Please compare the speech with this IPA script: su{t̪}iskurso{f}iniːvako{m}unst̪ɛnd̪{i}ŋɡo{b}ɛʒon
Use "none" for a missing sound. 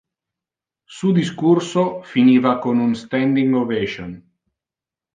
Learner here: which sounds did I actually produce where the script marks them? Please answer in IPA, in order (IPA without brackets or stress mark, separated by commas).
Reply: d̪, f, n, i, v